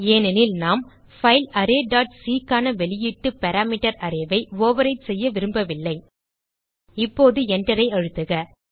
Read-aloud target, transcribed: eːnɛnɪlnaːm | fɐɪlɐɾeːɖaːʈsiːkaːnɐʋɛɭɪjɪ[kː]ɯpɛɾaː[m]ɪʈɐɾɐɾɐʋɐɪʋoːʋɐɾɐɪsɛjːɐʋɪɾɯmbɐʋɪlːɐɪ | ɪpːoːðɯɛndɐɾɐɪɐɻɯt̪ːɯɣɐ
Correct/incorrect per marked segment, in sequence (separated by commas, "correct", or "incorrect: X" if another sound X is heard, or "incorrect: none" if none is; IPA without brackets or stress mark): incorrect: ʈː, correct